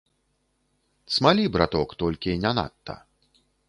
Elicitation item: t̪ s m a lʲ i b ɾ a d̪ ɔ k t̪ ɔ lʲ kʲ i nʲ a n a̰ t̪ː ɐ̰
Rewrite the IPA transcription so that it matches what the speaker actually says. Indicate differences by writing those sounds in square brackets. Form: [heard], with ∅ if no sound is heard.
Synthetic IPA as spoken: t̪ s m a lʲ i b ɾ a [t̪] ɔ k t̪ ɔ lʲ kʲ i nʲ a n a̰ t̪ː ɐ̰